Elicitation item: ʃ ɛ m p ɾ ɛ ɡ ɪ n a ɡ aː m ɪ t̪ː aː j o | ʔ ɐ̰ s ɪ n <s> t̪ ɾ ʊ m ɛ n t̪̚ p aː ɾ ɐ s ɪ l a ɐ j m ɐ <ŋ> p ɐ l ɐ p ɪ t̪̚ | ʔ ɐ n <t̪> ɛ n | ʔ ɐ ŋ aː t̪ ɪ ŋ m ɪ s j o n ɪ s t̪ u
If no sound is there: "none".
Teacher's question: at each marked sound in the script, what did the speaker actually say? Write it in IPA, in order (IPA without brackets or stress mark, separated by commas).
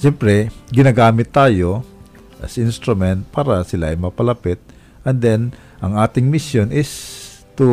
s, none, d̪